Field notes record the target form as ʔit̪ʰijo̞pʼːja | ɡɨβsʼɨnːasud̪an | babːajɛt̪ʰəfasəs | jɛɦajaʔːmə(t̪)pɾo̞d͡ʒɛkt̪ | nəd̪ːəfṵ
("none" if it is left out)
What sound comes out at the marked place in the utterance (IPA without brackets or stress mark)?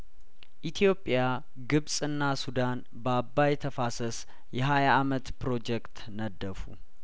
t̪